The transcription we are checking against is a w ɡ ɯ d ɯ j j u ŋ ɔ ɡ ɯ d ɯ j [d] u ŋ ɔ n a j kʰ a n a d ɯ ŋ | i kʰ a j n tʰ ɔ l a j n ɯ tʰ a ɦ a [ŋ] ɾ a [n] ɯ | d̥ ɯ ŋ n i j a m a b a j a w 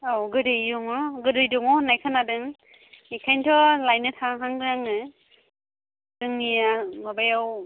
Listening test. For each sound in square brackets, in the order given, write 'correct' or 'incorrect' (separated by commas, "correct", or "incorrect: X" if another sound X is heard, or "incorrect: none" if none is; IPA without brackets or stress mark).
correct, correct, incorrect: ŋ